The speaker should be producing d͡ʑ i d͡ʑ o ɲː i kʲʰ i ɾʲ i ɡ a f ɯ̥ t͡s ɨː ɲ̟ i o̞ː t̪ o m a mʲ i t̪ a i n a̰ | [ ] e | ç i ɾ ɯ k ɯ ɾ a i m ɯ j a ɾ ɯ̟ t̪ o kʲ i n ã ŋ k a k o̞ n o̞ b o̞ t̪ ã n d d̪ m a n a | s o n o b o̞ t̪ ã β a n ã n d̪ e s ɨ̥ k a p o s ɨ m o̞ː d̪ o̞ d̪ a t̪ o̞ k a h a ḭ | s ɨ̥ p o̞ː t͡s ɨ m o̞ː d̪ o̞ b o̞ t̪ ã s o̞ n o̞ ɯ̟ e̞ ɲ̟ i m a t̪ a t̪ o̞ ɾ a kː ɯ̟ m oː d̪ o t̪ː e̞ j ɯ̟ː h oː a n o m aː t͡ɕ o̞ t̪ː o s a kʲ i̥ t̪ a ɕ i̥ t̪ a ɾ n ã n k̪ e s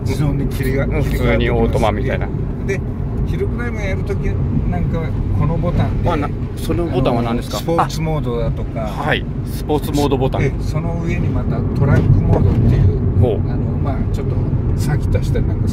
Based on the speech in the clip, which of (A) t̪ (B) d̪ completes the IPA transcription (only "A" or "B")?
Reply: B